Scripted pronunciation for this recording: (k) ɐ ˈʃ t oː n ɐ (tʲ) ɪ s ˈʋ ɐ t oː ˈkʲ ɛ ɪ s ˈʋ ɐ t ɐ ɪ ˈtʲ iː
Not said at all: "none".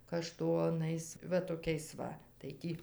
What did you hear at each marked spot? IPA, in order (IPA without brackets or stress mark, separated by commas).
k, none